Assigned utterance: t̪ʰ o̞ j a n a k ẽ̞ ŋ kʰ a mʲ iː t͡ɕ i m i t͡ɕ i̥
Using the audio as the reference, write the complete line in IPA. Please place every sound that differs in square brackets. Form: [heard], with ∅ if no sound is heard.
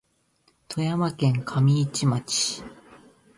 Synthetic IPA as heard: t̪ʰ o̞ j a [m] a k ẽ̞ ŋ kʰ a mʲ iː t͡ɕ i m [a] t͡ɕ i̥